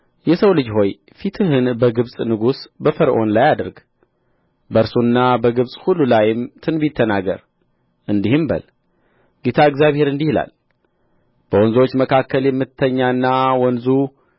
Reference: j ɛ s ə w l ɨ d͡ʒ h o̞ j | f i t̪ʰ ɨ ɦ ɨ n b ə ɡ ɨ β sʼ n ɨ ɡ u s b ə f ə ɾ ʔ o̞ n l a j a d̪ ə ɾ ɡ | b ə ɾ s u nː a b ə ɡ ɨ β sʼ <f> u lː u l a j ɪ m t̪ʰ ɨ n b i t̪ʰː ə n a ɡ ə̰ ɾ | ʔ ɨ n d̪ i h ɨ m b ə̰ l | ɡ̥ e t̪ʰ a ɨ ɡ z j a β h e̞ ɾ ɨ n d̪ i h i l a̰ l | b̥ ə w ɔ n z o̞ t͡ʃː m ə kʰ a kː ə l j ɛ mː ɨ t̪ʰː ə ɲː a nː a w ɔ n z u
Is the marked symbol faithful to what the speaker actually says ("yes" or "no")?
no